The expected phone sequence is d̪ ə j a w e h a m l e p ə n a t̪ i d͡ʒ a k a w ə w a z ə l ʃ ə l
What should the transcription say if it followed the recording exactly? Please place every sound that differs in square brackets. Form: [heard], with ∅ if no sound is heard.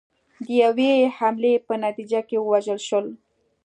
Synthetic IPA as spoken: d̪ ə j a w e h a m l e p ə n a t̪ i d͡ʒ a k [e] w ə w a [ʒ] ə l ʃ ə l